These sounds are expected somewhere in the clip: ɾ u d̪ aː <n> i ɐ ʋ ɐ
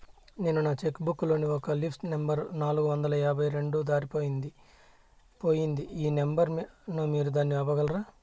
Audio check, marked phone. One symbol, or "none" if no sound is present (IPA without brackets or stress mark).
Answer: nː